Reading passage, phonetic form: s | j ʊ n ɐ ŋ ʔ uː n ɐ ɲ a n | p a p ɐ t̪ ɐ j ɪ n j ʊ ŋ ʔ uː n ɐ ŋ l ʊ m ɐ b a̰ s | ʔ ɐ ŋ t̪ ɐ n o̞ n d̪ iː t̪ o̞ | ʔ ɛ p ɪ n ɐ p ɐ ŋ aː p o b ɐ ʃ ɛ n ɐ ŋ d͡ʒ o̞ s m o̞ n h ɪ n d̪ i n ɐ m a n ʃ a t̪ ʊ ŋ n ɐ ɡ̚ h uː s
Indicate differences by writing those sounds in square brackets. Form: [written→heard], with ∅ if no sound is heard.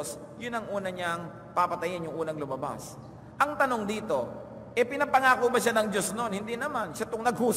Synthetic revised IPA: s | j ʊ n ɐ ŋ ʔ uː n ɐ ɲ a [n→ŋ] | p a p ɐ t̪ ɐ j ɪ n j ʊ ŋ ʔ uː n ɐ ŋ l ʊ m ɐ b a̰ s | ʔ ɐ ŋ t̪ ɐ n o̞ [n→ŋ] d̪ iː t̪ o̞ | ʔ ɛ p ɪ n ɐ p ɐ ŋ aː [p→k] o b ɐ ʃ [ɛ→a] n ɐ ŋ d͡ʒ o̞ s [m→n] o̞ n h ɪ n d̪ i n ɐ m a n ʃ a t̪ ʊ ŋ n ɐ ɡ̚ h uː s